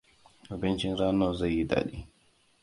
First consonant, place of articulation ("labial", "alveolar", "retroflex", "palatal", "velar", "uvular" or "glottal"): glottal